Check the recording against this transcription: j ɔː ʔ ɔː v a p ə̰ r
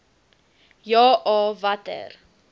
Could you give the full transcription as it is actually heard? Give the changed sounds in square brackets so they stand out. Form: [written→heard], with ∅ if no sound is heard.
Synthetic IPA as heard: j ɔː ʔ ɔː v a [p→t] ə̰ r